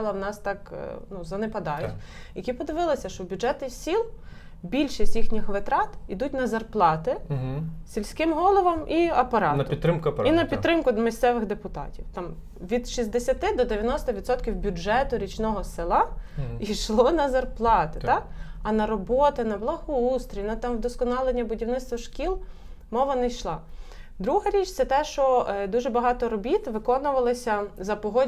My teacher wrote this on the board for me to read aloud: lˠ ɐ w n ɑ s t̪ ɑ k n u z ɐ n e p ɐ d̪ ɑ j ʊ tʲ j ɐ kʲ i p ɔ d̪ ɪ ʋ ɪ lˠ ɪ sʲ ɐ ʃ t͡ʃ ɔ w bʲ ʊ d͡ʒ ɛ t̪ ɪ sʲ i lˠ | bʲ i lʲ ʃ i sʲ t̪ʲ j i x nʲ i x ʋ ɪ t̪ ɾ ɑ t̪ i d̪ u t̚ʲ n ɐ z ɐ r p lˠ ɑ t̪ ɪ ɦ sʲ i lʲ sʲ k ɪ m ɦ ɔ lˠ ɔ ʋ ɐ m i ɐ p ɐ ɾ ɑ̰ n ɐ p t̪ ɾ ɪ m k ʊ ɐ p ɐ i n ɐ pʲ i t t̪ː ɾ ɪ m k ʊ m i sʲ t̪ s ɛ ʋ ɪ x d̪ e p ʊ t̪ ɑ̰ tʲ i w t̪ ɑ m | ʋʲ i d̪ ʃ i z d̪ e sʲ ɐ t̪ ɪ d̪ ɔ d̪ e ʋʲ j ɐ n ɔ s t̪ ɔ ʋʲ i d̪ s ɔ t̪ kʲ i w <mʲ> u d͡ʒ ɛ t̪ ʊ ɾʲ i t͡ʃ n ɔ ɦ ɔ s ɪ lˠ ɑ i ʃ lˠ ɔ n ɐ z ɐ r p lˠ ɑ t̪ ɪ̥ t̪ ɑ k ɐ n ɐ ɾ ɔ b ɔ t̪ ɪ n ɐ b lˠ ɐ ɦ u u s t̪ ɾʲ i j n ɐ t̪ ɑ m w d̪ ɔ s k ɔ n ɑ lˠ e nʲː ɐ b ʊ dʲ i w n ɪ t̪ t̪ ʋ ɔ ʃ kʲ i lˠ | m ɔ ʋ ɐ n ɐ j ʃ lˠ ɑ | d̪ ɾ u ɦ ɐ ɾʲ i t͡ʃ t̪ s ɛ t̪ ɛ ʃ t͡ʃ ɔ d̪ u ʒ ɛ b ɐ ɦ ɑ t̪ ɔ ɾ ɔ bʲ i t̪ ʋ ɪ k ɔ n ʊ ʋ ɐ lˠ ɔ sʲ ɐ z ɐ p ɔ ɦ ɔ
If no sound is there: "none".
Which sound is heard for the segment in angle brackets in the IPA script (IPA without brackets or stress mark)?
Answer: bʲ